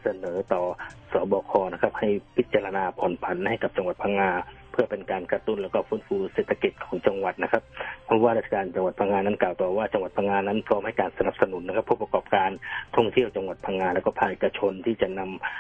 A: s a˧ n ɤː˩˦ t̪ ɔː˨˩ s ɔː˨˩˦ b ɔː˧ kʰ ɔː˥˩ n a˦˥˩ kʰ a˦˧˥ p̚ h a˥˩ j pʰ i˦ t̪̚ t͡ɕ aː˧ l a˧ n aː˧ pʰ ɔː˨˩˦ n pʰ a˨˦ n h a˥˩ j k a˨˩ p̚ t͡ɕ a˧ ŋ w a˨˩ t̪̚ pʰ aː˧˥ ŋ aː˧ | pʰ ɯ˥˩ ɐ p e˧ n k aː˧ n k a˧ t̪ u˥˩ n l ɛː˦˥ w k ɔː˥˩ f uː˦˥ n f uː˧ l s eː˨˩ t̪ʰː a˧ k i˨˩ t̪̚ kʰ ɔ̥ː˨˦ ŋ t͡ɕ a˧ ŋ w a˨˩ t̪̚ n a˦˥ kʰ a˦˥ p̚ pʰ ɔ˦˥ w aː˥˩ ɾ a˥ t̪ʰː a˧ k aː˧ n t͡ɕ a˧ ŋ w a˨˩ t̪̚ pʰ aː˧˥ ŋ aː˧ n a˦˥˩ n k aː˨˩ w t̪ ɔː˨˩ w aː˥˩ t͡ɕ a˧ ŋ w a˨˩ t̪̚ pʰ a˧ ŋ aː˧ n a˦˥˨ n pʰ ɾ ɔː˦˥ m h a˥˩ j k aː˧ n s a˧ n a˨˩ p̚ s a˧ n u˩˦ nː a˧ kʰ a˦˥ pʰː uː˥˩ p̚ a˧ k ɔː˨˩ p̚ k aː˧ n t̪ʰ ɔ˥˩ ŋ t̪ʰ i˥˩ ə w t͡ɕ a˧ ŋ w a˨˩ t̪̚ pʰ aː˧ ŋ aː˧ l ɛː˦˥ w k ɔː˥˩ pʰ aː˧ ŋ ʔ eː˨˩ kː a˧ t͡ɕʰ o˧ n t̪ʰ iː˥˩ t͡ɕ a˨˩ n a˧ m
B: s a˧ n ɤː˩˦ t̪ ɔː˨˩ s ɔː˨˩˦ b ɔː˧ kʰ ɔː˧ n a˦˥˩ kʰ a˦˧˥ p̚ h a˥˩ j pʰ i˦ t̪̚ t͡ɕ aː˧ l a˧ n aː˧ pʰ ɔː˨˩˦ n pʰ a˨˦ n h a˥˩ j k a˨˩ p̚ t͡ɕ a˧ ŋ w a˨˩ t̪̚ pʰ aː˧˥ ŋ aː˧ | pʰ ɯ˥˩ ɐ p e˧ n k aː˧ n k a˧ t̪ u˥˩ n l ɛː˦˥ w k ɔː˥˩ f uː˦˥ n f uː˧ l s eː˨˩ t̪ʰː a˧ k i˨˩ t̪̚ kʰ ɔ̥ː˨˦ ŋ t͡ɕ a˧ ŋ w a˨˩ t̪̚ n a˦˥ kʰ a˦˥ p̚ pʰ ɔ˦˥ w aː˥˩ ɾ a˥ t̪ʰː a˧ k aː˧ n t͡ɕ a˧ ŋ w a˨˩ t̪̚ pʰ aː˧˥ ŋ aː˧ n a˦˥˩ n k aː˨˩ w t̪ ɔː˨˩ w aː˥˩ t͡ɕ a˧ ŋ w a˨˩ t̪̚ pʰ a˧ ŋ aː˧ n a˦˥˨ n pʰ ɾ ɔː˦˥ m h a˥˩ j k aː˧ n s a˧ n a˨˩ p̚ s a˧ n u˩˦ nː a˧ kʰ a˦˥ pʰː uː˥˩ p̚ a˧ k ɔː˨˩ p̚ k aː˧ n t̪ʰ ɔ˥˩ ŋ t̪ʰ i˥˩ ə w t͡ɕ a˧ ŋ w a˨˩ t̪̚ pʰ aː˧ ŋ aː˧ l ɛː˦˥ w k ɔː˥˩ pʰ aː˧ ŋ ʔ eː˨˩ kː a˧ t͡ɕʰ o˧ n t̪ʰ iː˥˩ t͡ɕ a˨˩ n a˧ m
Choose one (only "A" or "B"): B